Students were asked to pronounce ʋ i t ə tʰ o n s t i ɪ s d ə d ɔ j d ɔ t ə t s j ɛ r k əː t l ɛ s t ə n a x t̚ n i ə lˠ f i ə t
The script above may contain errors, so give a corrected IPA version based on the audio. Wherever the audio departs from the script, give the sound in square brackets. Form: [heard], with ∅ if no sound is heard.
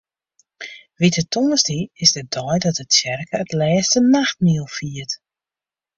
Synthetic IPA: ʋ i t ə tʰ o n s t i ɪ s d ə d ɔ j d ɔ t ə t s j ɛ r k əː t l [ɛː] s t ə n a x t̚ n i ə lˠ f i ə t